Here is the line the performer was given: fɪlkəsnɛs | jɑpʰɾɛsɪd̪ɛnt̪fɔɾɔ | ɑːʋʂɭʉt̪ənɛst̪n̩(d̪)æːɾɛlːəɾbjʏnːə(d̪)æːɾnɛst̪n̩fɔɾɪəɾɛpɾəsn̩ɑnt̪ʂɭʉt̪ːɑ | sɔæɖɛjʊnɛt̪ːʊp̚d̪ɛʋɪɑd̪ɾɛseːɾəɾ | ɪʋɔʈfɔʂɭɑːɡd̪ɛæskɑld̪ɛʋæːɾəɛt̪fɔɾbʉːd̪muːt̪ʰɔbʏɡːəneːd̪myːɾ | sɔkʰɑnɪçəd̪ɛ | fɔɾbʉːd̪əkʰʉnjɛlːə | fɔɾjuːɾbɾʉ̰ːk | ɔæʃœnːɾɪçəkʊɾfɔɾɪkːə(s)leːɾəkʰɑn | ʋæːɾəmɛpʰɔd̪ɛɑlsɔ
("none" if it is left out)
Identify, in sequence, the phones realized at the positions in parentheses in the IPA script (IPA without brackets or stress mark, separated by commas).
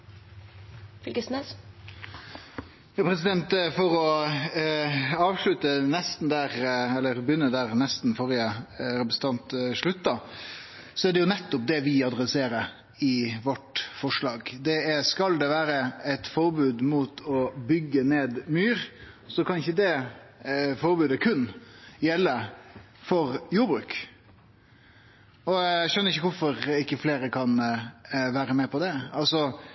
d̪, d̪, f